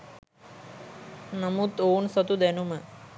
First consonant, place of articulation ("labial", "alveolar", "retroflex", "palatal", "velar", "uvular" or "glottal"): alveolar